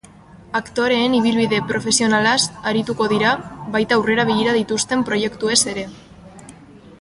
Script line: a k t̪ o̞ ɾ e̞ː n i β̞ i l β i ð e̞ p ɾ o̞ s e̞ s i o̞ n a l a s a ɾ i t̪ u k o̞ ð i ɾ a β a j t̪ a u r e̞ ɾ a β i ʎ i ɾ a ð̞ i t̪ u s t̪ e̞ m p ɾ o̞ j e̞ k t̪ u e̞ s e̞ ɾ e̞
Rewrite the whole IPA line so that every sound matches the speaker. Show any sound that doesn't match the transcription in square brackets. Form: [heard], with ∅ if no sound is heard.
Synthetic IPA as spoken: a k t̪ o̞ ɾ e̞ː n i β̞ i l β i ð e̞ p ɾ o̞ [f] e̞ s i o̞ n a l a s a ɾ i t̪ u k o̞ ð i ɾ a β a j t̪ a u r e̞ ɾ a β i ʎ i ɾ a ð̞ i t̪ u s t̪ e̞ m p ɾ o̞ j e̞ k t̪ u e̞ s e̞ ɾ e̞

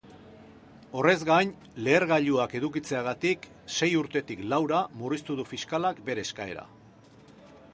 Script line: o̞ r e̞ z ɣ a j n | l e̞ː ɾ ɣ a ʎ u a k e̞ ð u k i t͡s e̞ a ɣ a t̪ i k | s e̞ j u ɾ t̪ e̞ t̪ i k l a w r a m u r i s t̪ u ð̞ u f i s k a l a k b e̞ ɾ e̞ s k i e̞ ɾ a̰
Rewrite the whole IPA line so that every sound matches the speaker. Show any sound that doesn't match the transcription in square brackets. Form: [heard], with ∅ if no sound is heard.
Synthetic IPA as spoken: o̞ r e̞ z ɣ a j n | l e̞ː ɾ ɣ a ʎ u a k e̞ ð u k i t͡s e̞ a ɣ a t̪ i k | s e̞ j u ɾ t̪ e̞ t̪ i k l a w [ɾ] a m u r i s t̪ u ð̞ u f i s k a l a k b e̞ ɾ e̞ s k [a] e̞ ɾ a̰

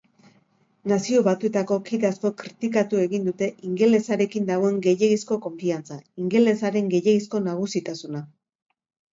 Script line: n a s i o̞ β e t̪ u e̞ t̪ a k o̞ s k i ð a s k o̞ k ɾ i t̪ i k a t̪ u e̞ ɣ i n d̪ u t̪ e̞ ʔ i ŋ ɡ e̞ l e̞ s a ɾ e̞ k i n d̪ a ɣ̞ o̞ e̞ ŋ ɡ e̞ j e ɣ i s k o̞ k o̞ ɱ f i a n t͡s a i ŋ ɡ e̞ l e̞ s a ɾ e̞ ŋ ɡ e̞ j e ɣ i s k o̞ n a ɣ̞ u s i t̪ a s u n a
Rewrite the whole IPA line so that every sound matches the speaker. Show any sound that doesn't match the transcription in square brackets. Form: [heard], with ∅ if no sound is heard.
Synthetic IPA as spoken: n a s i o̞ β [a] t̪ u e̞ t̪ a k o̞ [∅] k i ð a s k o̞ k ɾ i t̪ i k a t̪ u e̞ ɣ i n d̪ u t̪ e̞ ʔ i ŋ ɡ e̞ l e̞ s a ɾ e̞ k i n d̪ a ɣ̞ o̞ e̞ ŋ ɡ e̞ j e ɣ i s k o̞ k o̞ ɱ f i a n t͡s a i ŋ ɡ e̞ l e̞ s a ɾ e̞ ŋ ɡ e̞ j e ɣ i s k o̞ n a ɣ̞ u s i t̪ a s u n a

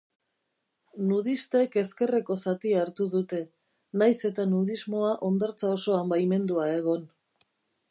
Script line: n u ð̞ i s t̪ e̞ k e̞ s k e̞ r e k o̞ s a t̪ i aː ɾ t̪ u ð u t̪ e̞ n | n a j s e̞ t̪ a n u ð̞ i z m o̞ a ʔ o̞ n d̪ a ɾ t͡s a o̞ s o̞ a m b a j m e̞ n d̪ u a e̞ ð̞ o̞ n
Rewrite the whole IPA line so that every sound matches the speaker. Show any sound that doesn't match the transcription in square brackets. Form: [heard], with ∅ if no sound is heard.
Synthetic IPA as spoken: n u ð̞ i s t̪ e̞ k e̞ s k e̞ r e k o̞ s a t̪ i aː ɾ t̪ u ð u t̪ e̞ [∅] | n a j s e̞ t̪ a n u ð̞ i z m o̞ a ʔ o̞ n d̪ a ɾ t͡s a o̞ s o̞ a m b a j m e̞ n d̪ u a e̞ [ɣ̞] o̞ n

